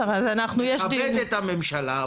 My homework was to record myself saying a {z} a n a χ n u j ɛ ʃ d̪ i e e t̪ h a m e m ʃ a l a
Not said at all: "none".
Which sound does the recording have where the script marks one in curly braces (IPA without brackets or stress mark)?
z